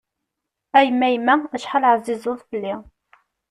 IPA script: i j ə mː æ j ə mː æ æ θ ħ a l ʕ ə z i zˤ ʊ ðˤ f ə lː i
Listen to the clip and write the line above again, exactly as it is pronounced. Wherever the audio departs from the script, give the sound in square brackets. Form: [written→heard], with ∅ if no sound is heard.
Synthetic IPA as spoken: [i→æ] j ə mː æ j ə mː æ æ [θ→ʃ] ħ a l ʕ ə z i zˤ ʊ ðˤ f ə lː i